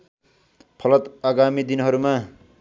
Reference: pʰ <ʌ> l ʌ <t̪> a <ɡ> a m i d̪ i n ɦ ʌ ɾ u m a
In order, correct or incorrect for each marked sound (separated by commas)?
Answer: correct, correct, correct